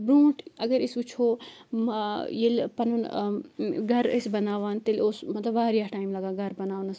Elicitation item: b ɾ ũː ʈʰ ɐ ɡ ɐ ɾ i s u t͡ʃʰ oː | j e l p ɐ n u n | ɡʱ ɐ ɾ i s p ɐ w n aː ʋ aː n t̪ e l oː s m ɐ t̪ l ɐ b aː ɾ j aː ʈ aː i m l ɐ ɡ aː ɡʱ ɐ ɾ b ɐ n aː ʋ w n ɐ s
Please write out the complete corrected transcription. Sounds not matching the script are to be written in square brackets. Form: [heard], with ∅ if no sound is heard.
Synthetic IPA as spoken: b ɾ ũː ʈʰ ɐ ɡ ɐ ɾ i s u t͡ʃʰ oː | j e l p ɐ n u n | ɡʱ ɐ ɾ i s [b] ɐ [∅] n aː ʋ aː n t̪ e l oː s m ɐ t̪ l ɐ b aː ɾ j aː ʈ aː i m l ɐ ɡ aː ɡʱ ɐ ɾ b ɐ n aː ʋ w n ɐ s